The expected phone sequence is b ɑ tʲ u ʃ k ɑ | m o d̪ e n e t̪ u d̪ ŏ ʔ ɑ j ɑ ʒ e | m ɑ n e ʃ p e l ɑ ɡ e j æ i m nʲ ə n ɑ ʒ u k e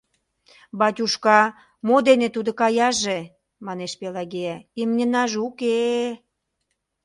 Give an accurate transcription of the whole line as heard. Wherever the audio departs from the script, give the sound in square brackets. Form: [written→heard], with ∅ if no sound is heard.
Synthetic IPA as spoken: b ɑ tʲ u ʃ k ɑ | m o d̪ e n e t̪ u d̪ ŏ [ʔ→k] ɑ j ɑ ʒ e | m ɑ n e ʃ p e l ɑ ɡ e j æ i m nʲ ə n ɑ ʒ u k e